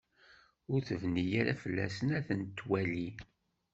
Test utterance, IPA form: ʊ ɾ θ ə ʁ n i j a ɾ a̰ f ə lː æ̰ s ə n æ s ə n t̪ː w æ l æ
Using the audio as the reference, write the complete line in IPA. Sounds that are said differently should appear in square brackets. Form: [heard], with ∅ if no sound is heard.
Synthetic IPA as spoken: ʊ ɾ θ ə [v] n i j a ɾ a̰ f ə lː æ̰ s ə n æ [θ] ə n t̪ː w æ l [i]